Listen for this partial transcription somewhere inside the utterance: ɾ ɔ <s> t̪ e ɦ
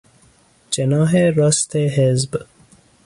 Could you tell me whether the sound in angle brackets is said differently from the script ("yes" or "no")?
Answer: no